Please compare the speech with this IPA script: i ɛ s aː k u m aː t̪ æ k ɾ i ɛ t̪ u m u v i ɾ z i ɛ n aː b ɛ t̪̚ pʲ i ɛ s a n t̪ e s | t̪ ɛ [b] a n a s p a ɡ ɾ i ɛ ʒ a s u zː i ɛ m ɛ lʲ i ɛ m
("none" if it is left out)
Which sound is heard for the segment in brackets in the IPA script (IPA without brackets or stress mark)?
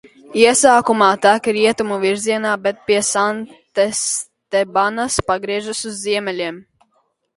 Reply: b